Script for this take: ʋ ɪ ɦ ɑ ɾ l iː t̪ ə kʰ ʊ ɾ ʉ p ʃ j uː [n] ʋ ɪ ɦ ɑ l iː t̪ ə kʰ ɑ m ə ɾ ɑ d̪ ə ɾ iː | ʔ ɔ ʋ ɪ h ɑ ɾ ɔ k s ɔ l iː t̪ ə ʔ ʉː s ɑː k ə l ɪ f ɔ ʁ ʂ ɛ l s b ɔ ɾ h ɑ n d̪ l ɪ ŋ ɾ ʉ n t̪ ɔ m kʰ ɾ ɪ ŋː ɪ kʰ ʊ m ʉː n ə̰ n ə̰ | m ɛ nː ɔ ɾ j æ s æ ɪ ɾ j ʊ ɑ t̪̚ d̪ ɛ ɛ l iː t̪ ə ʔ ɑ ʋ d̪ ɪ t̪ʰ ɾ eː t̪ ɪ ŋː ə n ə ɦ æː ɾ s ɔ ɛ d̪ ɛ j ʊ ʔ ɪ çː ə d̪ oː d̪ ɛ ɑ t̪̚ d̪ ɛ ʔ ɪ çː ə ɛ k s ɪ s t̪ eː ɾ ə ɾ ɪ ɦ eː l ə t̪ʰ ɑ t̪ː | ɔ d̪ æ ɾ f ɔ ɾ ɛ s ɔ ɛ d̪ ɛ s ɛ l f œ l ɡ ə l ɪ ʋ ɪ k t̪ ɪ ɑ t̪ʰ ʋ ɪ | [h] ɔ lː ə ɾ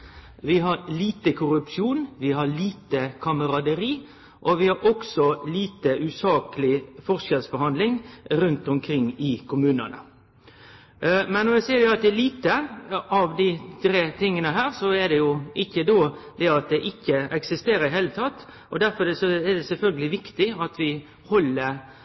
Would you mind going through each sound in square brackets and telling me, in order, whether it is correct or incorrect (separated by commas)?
correct, correct